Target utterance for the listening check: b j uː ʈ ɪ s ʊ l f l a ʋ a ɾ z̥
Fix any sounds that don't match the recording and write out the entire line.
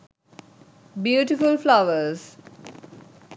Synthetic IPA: b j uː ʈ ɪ f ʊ l f l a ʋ ə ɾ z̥